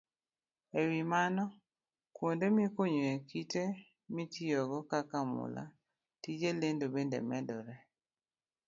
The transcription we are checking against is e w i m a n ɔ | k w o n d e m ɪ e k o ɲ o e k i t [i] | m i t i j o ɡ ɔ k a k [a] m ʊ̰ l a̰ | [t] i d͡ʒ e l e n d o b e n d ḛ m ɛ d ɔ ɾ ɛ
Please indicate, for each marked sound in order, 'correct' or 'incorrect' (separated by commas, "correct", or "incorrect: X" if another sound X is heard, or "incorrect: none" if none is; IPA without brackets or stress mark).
incorrect: e, correct, correct